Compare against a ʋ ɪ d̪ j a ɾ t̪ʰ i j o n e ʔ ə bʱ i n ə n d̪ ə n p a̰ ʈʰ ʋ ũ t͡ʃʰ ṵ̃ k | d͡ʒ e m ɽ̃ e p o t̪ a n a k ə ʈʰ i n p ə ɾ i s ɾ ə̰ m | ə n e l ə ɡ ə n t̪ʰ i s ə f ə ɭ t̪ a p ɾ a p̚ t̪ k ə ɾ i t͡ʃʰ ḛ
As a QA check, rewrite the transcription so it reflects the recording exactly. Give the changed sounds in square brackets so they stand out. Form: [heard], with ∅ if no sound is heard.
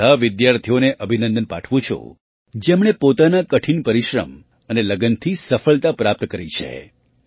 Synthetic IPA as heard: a ʋ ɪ d̪ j a ɾ t̪ʰ i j o n e ʔ ə bʱ i n ə n d̪ ə n p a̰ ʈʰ ʋ ũ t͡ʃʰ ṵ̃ [∅] | d͡ʒ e m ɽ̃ e p o t̪ a n a k ə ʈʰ i n p ə ɾ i [ʃ] ɾ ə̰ m | ə n e l ə ɡ ə n t̪ʰ i s ə f ə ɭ t̪ a p ɾ a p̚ t̪ k ə ɾ i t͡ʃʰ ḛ